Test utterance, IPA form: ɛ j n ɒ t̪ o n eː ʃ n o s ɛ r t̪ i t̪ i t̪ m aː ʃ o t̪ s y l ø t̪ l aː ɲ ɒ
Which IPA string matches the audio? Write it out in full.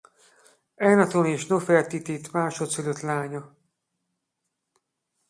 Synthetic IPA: ɛ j n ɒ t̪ o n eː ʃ n o f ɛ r t̪ i t̪ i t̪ m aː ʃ o t̪ s y l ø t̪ l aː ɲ ɒ